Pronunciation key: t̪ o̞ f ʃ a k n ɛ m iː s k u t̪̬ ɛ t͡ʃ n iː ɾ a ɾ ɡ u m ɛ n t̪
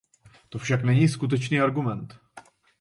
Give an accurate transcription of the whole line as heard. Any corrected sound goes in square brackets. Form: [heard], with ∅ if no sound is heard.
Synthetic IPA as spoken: t̪ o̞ f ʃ a k n ɛ [ɲ] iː s k u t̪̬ ɛ t͡ʃ n iː [∅] a ɾ ɡ u m ɛ n t̪